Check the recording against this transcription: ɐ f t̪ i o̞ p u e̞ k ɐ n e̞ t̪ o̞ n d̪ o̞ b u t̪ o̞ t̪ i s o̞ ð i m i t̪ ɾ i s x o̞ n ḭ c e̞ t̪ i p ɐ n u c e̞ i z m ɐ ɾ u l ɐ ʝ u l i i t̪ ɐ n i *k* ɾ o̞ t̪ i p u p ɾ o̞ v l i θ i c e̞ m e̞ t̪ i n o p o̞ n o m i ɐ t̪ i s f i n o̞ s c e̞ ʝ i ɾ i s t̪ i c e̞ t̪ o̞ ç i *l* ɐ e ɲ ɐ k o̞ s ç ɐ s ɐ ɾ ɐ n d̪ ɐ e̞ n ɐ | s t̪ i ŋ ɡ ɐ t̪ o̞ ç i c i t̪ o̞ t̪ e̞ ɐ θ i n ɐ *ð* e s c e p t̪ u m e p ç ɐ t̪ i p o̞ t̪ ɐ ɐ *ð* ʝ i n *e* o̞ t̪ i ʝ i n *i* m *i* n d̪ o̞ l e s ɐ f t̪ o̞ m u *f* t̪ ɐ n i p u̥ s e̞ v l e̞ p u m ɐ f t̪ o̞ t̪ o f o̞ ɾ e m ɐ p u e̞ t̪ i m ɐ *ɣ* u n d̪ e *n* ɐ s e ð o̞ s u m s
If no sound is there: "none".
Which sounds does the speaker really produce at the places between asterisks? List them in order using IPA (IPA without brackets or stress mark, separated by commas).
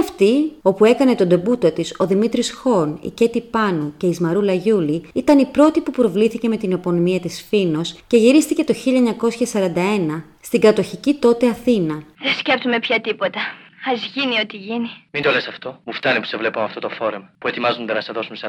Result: p, ʎ, ð, z, i, i, i, f, z, n